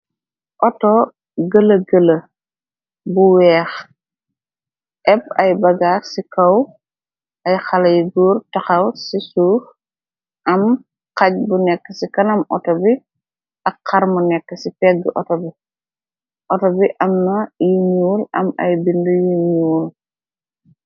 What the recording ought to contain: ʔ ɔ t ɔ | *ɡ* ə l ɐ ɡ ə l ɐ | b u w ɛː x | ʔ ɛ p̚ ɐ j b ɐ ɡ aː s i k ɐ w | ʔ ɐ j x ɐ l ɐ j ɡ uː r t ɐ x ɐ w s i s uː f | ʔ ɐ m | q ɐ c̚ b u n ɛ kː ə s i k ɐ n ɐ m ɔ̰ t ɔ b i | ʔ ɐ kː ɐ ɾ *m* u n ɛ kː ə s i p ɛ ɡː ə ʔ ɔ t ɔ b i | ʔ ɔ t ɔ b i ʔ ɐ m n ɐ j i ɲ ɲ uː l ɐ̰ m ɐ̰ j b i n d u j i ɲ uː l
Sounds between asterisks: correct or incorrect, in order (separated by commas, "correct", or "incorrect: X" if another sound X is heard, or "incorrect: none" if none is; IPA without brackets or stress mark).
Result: correct, correct